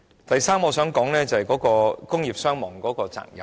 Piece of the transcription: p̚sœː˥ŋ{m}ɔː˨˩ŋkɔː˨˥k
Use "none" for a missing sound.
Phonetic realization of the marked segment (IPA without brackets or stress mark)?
m